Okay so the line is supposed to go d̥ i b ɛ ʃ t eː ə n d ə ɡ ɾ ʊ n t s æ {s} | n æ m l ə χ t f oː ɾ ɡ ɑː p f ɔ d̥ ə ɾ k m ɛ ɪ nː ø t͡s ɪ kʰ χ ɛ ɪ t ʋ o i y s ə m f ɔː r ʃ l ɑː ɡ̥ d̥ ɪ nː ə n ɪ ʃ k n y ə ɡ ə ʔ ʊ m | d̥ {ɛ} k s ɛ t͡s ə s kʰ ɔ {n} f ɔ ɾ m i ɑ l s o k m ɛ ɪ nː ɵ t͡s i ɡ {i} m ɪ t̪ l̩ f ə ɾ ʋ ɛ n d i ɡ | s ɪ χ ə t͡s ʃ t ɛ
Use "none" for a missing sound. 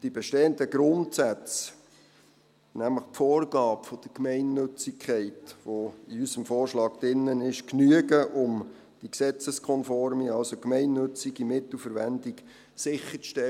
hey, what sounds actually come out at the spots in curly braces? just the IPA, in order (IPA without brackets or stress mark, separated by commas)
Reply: t͡s, i, n, i